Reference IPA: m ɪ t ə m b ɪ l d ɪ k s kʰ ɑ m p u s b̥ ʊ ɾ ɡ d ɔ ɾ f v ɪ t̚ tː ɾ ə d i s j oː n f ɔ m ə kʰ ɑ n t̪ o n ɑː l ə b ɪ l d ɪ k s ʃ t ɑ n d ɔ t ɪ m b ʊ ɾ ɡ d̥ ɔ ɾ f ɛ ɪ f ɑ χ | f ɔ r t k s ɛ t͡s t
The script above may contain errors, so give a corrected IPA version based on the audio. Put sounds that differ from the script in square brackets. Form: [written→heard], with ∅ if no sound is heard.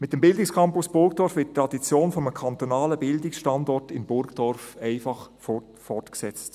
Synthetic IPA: m ɪ t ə m b ɪ l d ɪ k s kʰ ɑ m p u s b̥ ʊ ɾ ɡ d ɔ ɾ f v ɪ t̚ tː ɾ [ə→ɑ] d i [s→t͡s] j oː n f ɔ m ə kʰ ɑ n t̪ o n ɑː l ə b ɪ l d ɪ k s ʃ t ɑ n d ɔ t ɪ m b ʊ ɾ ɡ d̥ ɔ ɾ f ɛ ɪ f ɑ χ | f ɔ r t k s ɛ t͡s t